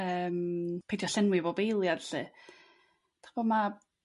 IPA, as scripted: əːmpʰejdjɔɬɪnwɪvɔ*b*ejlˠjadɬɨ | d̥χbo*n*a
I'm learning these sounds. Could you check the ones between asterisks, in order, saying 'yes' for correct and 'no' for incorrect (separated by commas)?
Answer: yes, no